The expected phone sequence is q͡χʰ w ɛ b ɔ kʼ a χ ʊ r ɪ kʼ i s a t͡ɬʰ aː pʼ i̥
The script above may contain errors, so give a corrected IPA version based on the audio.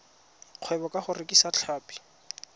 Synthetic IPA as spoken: q͡χʰ w ɛ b ɔ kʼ a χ ʊ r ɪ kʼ i s a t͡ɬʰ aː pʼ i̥